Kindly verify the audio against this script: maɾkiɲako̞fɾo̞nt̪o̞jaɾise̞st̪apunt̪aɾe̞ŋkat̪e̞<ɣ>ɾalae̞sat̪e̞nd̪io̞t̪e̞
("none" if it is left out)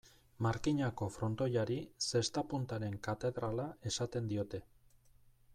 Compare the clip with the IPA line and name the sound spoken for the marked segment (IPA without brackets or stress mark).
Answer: ð